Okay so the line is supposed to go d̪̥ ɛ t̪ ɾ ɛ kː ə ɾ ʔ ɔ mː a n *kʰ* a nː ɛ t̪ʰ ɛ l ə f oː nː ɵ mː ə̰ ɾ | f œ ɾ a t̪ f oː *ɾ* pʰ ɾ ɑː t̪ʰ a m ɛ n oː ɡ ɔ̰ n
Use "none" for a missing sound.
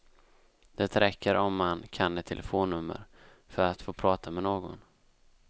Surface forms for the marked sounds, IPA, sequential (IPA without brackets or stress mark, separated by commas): kʰ, none